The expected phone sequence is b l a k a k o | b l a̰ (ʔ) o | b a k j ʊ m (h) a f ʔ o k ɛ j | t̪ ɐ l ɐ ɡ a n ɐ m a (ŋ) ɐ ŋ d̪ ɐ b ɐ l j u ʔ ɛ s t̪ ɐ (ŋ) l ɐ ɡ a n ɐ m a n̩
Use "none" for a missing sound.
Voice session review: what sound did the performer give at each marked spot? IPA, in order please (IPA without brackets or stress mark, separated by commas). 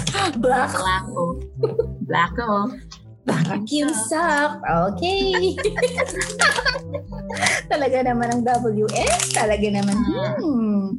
k, s, n, none